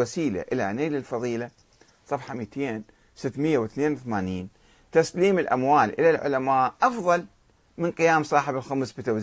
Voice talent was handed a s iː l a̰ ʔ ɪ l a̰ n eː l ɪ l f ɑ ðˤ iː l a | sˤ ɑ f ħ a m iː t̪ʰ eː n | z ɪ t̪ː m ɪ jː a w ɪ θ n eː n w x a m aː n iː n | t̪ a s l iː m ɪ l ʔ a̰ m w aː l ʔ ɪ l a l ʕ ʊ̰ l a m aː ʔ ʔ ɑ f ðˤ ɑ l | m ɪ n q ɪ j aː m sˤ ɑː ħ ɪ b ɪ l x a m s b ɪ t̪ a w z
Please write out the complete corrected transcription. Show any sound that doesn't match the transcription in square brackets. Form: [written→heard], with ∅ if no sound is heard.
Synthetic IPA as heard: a s iː l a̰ ʔ ɪ l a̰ n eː l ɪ l f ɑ ðˤ iː l a | sˤ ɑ f ħ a m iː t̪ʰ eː n | [z→s] ɪ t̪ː m ɪ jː a w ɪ θ n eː n w [x→θ] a m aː n iː n | t̪ a s l iː m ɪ l ʔ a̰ m w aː l ʔ ɪ l a l ʕ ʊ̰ l a m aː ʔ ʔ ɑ f ðˤ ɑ l | m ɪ n q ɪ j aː m sˤ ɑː ħ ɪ b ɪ l x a m s b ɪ t̪ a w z